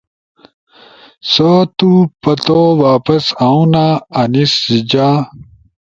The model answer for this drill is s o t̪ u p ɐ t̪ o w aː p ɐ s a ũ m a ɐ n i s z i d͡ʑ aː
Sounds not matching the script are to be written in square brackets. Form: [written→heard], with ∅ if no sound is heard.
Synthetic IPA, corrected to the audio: s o t̪ u p ɐ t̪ o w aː p ɐ s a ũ [m→n] a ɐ n i s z i d͡ʑ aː